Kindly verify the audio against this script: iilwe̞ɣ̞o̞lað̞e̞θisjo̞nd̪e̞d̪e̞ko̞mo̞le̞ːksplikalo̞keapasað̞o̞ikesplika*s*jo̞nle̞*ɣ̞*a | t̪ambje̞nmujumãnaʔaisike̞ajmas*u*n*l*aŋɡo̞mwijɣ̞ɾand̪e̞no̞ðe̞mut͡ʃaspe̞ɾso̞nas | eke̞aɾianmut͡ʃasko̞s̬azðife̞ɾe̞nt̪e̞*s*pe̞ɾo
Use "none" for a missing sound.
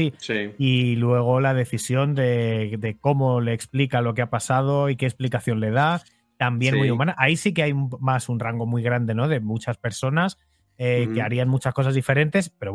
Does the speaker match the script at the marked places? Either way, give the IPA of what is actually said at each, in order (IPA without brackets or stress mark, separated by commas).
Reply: θ, ð̞, u, r, s